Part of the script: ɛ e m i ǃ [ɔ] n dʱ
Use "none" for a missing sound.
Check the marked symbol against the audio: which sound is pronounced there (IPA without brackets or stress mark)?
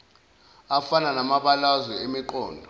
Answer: ɔː